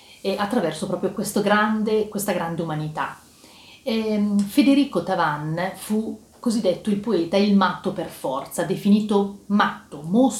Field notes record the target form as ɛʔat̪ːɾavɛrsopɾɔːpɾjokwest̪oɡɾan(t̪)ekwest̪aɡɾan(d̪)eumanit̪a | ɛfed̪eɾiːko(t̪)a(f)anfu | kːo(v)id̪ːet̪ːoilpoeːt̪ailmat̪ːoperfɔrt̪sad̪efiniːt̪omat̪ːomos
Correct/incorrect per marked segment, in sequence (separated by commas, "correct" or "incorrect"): incorrect, correct, correct, incorrect, incorrect